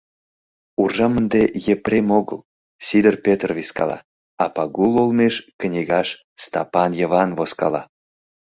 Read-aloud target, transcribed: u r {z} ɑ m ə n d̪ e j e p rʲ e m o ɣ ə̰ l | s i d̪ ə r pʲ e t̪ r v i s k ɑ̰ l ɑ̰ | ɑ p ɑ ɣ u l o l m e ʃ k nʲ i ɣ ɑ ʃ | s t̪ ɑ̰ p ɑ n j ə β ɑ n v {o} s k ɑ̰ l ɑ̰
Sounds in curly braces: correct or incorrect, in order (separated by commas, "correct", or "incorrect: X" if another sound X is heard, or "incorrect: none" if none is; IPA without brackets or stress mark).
incorrect: ʒ, correct